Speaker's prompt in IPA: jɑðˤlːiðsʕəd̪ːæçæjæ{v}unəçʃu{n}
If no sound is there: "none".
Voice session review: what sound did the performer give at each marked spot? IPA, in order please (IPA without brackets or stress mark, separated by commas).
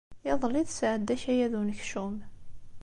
ð, m